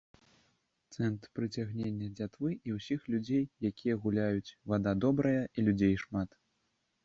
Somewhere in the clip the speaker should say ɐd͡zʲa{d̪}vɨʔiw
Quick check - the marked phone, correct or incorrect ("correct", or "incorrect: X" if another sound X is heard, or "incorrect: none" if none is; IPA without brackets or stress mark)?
incorrect: t̪